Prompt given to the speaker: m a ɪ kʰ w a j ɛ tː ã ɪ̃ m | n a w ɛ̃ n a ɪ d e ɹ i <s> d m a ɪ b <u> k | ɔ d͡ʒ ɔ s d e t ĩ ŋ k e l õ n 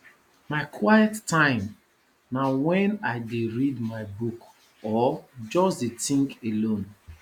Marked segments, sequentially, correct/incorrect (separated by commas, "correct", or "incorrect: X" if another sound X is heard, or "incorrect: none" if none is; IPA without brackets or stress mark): incorrect: none, correct